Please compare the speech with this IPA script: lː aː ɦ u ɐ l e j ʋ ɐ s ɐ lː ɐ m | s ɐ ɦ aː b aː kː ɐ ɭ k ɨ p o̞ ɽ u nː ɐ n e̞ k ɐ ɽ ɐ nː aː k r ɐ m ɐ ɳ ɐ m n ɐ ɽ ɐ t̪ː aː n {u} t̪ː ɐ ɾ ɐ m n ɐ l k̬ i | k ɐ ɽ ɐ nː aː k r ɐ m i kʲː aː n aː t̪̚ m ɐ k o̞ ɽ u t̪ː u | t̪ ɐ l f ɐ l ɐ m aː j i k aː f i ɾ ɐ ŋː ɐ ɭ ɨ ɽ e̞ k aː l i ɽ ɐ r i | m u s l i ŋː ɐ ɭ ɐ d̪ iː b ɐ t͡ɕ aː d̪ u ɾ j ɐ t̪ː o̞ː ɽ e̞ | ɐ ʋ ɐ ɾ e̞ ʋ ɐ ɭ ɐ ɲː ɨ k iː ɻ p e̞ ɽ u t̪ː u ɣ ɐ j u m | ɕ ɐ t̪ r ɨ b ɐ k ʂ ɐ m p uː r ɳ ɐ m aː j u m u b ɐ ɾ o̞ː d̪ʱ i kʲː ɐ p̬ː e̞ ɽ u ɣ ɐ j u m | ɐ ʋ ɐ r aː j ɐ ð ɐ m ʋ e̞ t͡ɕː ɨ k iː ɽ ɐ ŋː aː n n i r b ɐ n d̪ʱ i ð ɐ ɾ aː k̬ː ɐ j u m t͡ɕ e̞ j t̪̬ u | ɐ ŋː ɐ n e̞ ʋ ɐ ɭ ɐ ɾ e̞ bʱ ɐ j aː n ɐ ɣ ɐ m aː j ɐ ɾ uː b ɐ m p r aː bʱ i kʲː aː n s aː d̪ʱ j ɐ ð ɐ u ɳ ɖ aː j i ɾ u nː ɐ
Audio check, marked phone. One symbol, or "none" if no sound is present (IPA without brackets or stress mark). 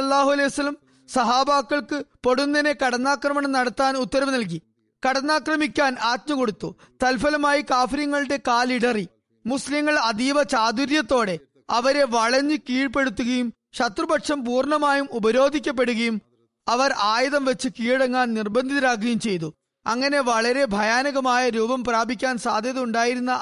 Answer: u